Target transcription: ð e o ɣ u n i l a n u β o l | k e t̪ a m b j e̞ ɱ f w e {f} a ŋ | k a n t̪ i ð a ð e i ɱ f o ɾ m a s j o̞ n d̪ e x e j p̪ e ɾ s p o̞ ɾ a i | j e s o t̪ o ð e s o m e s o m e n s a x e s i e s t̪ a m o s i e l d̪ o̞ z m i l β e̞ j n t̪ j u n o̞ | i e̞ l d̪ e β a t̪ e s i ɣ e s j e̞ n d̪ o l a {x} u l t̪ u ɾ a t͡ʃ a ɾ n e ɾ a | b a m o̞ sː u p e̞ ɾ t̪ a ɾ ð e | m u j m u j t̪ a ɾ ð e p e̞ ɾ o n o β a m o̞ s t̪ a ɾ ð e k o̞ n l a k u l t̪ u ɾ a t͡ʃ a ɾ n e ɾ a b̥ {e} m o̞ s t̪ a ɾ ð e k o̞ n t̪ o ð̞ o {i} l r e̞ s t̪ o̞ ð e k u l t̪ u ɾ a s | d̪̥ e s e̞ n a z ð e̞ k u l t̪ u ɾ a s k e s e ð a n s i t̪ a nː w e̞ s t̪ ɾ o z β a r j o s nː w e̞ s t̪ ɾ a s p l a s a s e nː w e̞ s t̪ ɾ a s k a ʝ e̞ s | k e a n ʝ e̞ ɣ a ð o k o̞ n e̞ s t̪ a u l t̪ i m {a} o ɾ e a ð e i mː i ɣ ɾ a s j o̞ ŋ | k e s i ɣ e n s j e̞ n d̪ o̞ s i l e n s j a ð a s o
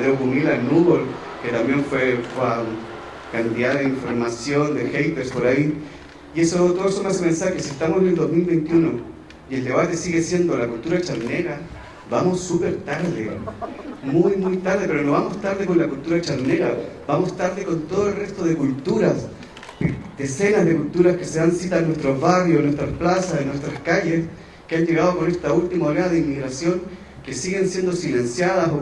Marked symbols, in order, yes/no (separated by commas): yes, no, no, no, yes